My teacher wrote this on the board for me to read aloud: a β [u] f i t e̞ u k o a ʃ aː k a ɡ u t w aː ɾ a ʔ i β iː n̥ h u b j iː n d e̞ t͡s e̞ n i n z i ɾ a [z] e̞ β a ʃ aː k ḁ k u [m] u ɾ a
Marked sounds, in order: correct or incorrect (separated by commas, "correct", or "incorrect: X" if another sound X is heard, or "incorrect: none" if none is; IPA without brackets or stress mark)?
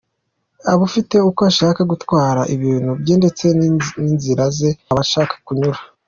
correct, correct, incorrect: ɲ